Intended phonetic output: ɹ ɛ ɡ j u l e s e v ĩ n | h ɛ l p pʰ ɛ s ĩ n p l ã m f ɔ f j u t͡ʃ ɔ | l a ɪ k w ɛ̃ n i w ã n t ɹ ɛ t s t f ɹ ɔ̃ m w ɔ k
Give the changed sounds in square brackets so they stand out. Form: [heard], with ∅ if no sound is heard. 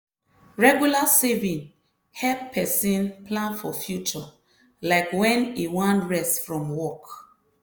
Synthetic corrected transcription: ɹ ɛ ɡ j u l [a] s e v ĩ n | h ɛ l p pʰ ɛ s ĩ n p l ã [n] f ɔ f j u t͡ʃ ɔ | l a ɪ k w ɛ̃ n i w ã n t ɹ ɛ [∅] s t f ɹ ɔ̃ m w ɔ k